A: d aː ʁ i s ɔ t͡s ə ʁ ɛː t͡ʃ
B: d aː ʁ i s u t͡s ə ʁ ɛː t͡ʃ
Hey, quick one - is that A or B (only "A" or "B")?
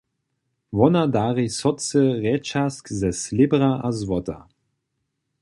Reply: A